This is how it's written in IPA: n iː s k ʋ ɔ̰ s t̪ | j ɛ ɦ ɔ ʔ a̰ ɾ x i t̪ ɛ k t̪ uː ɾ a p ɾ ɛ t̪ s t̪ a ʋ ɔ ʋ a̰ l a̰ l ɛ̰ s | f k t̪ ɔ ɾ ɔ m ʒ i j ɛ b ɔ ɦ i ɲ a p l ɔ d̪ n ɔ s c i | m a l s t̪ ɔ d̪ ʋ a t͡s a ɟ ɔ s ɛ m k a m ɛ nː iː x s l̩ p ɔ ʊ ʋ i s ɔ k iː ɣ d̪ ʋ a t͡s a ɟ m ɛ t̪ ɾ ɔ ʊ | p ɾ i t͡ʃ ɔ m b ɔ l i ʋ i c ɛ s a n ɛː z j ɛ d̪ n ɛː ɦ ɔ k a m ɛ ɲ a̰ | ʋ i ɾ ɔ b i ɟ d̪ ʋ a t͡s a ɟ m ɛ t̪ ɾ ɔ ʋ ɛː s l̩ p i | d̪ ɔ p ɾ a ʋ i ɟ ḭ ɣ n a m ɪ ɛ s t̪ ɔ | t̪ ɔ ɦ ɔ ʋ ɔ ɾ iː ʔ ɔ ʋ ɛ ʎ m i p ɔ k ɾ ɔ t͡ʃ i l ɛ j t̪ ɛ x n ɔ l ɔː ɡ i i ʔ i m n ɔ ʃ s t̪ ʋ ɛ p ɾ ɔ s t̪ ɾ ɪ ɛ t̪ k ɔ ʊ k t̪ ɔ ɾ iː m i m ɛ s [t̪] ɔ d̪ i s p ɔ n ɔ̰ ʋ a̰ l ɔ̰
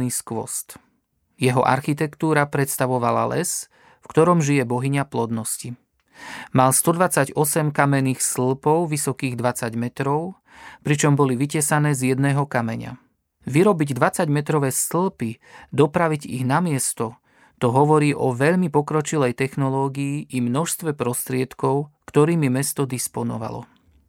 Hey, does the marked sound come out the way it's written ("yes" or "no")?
yes